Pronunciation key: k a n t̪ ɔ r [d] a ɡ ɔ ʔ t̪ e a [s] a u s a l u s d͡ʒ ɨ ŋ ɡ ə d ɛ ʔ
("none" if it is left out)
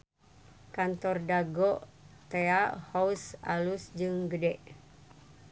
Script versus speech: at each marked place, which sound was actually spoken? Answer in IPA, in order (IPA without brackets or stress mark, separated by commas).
d, h